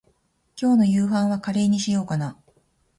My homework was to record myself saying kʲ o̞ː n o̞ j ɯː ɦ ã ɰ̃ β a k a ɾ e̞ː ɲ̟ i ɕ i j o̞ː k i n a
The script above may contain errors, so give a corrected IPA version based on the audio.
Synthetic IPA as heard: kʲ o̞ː n o̞ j ɯː ɦ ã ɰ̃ β a k a ɾ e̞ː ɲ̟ i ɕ i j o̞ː k a n a